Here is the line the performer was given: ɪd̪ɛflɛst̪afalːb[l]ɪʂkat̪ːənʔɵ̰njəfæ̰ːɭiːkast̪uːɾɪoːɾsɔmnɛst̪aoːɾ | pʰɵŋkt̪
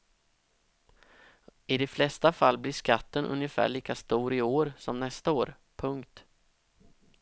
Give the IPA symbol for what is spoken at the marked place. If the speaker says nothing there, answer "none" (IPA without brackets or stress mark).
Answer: l